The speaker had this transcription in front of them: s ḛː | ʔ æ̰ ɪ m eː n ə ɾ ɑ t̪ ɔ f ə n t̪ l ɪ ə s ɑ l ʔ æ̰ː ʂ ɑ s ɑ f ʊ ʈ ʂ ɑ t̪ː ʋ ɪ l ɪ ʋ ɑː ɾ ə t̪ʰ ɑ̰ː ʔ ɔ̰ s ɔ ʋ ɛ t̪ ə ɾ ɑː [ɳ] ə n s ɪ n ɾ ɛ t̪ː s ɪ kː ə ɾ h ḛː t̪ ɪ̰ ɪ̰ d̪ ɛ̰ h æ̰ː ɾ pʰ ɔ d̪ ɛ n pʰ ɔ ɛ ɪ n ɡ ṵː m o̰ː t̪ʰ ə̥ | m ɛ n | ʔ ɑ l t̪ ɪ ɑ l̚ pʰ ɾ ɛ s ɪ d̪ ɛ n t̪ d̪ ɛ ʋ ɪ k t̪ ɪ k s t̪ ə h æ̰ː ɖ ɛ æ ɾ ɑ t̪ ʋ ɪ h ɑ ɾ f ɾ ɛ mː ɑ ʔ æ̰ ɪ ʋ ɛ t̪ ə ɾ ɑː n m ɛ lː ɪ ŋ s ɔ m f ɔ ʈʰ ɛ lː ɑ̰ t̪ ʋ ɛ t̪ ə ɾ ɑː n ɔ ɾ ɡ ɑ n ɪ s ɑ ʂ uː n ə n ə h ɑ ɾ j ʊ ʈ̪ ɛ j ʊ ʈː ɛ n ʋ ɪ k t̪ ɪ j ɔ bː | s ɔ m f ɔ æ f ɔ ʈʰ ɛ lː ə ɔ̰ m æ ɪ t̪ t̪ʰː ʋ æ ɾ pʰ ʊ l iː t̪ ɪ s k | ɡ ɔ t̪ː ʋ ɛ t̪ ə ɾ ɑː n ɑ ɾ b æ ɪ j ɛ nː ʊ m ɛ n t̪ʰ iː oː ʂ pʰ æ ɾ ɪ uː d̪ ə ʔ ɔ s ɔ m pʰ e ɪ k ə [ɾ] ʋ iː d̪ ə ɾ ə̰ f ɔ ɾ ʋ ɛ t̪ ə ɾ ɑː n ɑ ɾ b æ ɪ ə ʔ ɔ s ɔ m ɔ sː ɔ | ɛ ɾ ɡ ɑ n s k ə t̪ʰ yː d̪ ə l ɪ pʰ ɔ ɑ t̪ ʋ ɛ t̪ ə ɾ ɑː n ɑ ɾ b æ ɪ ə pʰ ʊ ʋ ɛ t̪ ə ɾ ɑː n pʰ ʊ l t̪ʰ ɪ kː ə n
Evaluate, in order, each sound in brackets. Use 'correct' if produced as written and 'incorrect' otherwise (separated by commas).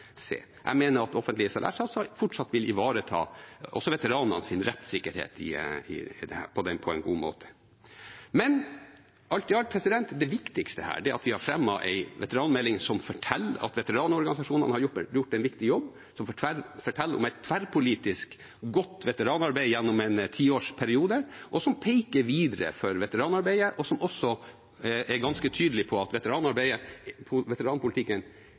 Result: incorrect, correct